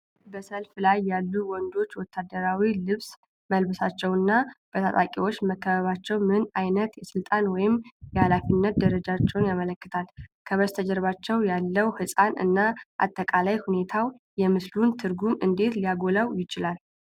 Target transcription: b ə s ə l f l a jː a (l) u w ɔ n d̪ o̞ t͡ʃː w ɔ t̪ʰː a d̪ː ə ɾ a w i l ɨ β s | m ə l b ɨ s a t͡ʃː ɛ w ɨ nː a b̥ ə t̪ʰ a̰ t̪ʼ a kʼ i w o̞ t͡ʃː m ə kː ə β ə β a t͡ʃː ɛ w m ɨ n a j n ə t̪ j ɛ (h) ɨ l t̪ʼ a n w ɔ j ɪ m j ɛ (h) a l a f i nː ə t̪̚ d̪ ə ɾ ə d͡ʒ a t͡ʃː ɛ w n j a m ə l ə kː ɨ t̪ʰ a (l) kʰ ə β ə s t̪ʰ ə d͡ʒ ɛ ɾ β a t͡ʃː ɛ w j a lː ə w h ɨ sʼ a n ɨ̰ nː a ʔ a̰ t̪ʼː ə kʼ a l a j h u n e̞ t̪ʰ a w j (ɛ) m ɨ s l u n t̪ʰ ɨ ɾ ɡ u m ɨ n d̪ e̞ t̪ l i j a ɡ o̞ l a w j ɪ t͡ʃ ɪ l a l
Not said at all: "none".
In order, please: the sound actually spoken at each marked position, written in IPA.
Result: lː, s, h, l, ɛ

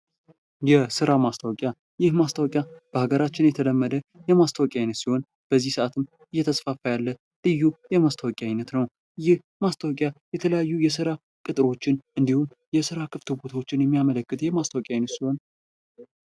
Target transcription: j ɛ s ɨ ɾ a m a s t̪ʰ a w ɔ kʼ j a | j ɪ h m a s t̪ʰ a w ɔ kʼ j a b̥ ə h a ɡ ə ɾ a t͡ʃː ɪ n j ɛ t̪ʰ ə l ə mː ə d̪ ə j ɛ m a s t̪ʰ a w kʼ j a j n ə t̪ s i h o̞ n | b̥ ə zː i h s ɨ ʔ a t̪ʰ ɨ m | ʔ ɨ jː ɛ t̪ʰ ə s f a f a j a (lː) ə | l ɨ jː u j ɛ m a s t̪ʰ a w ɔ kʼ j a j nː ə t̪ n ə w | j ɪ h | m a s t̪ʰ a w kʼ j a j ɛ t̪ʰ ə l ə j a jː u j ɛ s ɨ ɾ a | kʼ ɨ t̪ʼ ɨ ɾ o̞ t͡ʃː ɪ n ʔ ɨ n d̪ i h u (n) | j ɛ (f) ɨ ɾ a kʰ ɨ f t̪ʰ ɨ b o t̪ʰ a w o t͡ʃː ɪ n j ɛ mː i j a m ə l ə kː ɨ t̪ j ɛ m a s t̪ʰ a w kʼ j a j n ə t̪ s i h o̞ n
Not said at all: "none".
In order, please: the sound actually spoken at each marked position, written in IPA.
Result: lː, m, s

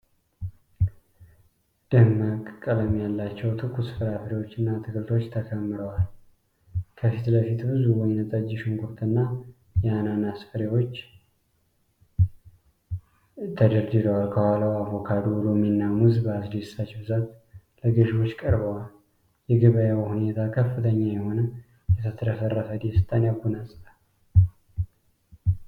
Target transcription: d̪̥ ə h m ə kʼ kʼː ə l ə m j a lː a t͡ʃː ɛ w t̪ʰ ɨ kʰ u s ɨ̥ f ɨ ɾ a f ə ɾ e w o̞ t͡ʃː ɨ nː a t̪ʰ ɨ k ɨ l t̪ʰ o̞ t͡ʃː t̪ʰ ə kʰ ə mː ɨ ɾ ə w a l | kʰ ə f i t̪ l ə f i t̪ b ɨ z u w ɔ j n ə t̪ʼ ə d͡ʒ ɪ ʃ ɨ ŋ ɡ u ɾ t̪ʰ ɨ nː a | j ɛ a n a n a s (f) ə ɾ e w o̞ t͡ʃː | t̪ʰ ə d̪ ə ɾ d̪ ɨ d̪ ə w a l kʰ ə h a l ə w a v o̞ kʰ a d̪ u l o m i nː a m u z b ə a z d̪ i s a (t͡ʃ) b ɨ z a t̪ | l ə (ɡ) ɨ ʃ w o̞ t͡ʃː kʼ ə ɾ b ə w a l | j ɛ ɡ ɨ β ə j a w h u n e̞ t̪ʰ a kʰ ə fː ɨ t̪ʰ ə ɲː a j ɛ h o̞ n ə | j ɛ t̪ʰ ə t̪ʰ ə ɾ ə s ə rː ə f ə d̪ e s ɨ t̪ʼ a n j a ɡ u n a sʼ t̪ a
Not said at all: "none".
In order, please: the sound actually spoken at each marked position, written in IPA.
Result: f, t͡ʃ, ɡ

